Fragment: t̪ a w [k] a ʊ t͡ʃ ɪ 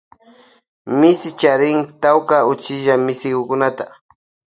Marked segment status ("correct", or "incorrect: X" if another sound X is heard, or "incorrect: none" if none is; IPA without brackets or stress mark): correct